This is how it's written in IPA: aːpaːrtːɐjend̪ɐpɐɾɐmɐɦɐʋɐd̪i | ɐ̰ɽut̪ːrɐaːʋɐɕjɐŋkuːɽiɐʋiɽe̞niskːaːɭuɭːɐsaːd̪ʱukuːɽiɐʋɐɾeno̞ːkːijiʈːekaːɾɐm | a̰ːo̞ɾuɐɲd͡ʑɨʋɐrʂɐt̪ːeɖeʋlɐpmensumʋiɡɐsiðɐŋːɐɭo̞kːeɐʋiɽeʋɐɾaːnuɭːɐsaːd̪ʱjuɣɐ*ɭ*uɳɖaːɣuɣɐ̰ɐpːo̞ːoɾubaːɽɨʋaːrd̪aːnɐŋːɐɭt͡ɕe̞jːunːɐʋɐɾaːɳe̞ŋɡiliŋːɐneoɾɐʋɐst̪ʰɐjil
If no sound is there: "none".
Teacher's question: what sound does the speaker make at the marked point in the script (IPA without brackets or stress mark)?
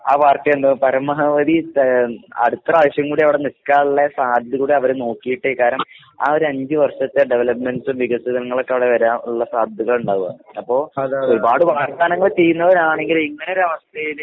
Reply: ɭ